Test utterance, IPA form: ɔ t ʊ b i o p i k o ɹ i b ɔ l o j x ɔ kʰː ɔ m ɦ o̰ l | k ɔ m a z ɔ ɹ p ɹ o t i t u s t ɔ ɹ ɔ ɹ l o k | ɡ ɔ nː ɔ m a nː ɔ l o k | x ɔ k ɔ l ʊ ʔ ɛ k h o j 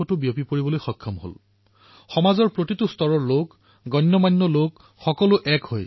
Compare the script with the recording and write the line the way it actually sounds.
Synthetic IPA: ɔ t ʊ b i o p i p o ɹ i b ɔ l o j x ɔ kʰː ɔ m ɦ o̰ l | x ɔ m a z ɔ ɹ p ɹ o t i t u s t ɔ ɹ ɔ ɹ l o k | ɡ ɔ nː ɔ m a nː ɔ l o k | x ɔ k ɔ l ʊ ʔ ɛ k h o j

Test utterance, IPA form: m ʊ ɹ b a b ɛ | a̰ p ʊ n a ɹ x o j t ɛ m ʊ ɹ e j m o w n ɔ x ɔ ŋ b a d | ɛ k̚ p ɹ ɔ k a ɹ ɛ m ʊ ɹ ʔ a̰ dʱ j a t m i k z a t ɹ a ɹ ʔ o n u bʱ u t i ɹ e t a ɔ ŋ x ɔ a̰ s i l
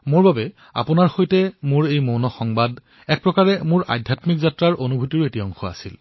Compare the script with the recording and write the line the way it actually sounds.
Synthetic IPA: m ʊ ɹ b a b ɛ | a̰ p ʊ n a ɹ x o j t ɛ m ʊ ɹ e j m o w n ɔ x ɔ ŋ b a d | ɛ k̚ p ɹ ɔ k a ɹ ɛ m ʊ ɹ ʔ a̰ dʱ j a t m i k z a t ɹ a ɹ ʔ o n u bʱ u t i ɹ e t i ɔ ŋ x ɔ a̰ s i l

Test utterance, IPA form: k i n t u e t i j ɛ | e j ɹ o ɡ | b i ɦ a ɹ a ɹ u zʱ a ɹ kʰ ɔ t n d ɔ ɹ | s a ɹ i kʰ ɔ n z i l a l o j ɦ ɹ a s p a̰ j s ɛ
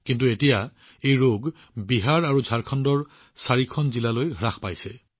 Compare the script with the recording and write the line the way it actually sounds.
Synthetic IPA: k i n t u e t i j a | e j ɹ o ɡ | b i ɦ a ɹ a ɹ u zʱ a ɹ kʰ ɔ n d ɔ ɹ | s a ɹ i kʰ ɔ n z i l a l o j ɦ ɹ a x p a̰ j s ɛ

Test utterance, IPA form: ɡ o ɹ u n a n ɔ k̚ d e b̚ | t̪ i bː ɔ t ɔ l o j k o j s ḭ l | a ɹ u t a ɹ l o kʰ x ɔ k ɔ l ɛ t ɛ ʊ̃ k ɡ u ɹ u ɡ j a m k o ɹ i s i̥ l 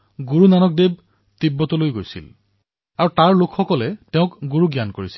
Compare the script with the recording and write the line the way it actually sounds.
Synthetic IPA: ɡ u ɹ u n a n ɔ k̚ d e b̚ | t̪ i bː ɔ t ɔ l o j ɡ o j s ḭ l | a ɹ u t a ɹ l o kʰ x ɔ k ɔ l ɛ t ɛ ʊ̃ k ɡ u ɹ u ɡ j a n k o ɹ i s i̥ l

